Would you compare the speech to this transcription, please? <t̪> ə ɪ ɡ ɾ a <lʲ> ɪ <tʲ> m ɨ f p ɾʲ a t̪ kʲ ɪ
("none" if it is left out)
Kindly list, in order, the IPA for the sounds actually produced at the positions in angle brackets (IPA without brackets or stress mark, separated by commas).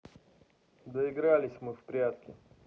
d̪, lʲ, sʲ